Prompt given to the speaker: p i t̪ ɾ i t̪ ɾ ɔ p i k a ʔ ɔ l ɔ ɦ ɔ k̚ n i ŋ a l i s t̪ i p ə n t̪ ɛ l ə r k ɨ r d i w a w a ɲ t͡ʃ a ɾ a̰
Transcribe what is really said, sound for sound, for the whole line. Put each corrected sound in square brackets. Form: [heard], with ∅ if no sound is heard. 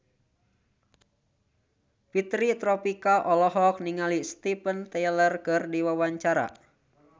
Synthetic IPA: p i t̪ ɾ i t̪ ɾ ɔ p i k a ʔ ɔ l ɔ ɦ ɔ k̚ n i ŋ a l i s t̪ i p ə n t̪ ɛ l ə r k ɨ r d i w a w a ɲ t͡ʃ a ɾ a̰